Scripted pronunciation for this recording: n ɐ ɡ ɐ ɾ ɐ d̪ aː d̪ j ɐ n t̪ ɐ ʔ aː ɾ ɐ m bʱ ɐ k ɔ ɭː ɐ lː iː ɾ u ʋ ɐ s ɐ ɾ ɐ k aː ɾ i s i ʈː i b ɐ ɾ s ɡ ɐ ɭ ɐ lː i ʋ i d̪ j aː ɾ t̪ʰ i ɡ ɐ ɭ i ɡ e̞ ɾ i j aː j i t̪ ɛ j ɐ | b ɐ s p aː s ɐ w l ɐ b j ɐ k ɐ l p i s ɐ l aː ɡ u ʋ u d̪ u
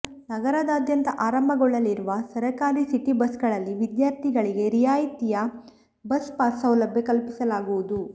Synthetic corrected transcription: n ɐ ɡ ɐ ɾ ɐ d̪ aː d̪ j ɐ n t̪ ɐ ʔ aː ɾ ɐ m bʱ ɐ ɡ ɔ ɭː ɐ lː i ɾ u ʋ ɐ s ɐ ɾ ɐ k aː ɾ i s i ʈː i b ɐ s ɡ ɐ ɭ ɐ lː i ʋ i d̪ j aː ɾ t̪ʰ i ɡ ɐ ɭ i ɡ e̞ ɾ i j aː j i t̪ i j ɐ | b ɐ s p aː s ɐ w l ɐ b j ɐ k ɐ l p i s ɐ l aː ɡ u ʋ u d̪ u